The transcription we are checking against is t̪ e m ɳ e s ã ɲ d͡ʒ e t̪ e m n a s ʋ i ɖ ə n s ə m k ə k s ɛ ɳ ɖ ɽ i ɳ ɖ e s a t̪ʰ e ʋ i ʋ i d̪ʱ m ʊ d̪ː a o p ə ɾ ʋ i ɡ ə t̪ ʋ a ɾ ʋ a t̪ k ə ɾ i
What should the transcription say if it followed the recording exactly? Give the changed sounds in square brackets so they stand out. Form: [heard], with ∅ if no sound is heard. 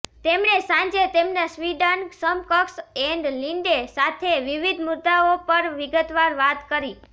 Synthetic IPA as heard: t̪ e m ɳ e s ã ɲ d͡ʒ e t̪ e m n a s ʋ i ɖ ə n s ə m k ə k s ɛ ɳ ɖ [l] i ɳ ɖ e s a t̪ʰ e ʋ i ʋ i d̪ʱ m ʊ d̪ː a o p ə ɾ ʋ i ɡ ə t̪ ʋ a ɾ ʋ a t̪ k ə ɾ i